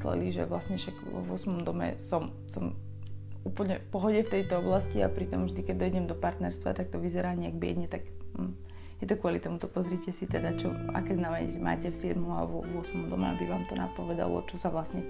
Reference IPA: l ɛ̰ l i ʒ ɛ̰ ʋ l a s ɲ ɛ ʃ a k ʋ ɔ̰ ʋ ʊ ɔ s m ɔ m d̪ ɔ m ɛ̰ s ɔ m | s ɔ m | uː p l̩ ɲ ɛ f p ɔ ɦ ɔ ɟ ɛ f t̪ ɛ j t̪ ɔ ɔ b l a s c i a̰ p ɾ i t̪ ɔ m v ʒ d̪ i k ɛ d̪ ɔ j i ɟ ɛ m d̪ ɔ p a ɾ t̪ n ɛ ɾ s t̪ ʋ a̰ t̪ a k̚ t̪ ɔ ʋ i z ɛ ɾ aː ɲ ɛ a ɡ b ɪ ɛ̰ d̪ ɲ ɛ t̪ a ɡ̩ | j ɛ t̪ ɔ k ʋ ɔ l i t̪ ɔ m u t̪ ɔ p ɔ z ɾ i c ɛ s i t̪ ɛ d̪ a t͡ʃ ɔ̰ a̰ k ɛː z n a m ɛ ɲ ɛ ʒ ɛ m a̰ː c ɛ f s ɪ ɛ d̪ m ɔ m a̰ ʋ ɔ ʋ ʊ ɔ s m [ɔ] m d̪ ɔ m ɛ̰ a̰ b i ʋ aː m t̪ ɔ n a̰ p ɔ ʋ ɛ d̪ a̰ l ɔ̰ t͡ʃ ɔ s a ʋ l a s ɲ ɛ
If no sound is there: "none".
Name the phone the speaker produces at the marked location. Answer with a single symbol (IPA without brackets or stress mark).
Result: ɔ